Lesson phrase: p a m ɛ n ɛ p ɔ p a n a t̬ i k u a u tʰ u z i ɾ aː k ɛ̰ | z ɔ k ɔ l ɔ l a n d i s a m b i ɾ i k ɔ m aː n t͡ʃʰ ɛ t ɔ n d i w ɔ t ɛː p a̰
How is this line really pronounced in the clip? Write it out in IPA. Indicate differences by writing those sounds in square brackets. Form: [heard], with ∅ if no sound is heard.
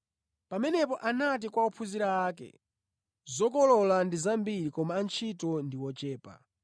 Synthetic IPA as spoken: p a m ɛ n ɛ p ɔ [ʔ] a n a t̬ i k [w] a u [pʰ] u z i ɾ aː k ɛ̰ | z ɔ k ɔ l ɔ l a n d i [z] a m b i ɾ i k ɔ m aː n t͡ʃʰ [i] t ɔ n d i w ɔ [t͡ʃ] ɛː p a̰